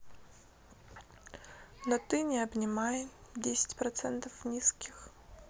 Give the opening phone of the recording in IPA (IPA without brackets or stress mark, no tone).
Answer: n